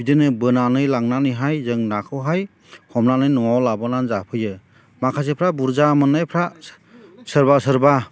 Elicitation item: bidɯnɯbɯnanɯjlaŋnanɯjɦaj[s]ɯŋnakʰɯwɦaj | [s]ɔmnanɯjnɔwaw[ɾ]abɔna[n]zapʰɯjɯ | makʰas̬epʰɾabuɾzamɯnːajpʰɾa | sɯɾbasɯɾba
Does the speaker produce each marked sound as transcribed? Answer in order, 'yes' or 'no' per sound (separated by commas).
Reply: no, no, no, yes